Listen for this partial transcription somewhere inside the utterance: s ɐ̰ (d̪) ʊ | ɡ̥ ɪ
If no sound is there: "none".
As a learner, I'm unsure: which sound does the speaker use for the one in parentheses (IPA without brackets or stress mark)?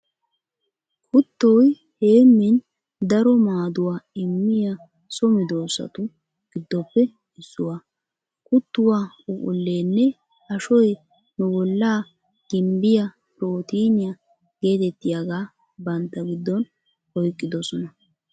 t̪